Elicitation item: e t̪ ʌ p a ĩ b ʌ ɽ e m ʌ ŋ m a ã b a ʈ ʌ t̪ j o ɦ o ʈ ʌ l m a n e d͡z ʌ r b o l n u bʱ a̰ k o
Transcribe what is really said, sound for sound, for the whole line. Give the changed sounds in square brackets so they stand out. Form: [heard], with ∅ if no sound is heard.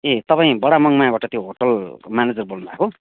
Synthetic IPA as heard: e t̪ ʌ p a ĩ b ʌ ɽ [a] m ʌ ŋ m a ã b a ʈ ʌ t̪ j o ɦ o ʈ ʌ l m a n e d͡z ʌ r b o l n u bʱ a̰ k o